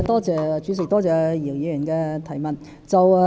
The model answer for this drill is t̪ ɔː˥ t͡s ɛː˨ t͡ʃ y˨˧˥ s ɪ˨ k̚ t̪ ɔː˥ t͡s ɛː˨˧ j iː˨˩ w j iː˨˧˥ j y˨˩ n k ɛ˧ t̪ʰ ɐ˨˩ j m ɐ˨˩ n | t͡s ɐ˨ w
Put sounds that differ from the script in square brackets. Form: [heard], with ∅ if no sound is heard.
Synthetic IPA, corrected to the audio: t̪ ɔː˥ t͡s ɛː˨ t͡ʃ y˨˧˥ s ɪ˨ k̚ t̪ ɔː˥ t͡s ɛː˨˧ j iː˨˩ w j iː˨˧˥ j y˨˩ n k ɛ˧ t̪ʰ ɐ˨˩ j m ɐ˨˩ n | t͡s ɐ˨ w